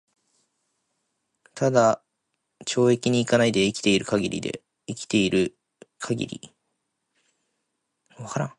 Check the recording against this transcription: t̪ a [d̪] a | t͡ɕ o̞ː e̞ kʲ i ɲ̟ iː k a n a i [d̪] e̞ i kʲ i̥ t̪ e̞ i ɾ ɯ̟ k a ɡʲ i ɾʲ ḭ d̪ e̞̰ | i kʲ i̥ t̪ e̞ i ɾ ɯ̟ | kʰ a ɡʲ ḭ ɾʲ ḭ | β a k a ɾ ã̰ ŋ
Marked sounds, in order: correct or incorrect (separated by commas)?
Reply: correct, correct